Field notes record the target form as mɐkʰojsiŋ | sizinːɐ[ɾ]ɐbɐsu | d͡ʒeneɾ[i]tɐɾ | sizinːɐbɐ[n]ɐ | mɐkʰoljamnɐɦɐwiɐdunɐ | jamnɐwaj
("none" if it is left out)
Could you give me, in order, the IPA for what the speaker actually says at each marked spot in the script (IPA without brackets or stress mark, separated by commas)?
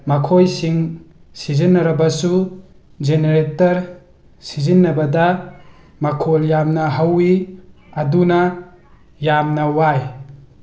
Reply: ɾ, e, d